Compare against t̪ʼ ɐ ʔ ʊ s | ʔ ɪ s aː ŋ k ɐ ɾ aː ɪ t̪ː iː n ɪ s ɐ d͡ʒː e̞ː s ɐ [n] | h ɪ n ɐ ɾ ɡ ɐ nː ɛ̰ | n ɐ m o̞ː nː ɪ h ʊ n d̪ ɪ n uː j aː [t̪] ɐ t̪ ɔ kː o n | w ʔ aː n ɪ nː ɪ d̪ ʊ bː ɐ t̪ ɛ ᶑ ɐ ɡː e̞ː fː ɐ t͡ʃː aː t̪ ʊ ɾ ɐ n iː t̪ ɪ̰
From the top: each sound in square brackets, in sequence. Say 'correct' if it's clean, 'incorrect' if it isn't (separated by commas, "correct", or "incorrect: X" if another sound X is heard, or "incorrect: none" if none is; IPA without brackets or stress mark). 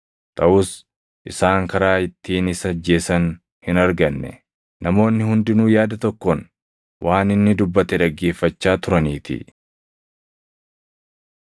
correct, incorrect: d̪